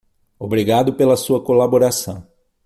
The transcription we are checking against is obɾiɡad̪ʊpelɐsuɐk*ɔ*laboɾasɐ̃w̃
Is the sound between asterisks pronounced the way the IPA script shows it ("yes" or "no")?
no